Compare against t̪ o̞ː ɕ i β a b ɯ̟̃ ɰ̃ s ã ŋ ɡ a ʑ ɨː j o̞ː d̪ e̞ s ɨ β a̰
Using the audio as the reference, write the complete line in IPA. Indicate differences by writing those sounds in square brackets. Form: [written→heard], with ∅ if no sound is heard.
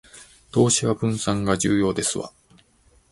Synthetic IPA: t̪ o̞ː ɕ i β a b ɯ̟̃ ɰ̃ s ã ŋ ɡ a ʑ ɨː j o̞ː d̪ e̞ s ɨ β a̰